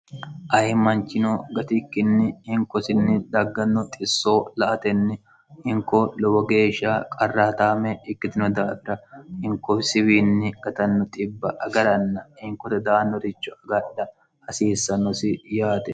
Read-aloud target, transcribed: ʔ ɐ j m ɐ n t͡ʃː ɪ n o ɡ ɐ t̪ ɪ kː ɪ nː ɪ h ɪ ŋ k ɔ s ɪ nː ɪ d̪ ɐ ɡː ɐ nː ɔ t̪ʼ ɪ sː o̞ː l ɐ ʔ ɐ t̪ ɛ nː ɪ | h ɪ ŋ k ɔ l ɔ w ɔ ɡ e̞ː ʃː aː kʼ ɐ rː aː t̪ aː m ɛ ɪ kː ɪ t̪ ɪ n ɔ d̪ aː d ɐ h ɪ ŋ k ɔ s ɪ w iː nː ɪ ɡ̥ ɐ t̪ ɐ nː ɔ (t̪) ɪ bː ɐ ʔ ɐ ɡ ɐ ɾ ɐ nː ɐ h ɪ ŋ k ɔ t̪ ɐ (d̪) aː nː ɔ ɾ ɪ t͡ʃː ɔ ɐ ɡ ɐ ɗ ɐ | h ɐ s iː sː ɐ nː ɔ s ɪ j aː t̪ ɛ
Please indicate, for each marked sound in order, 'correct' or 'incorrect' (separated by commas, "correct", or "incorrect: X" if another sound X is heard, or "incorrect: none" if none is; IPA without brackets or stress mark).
incorrect: t̪ʼ, correct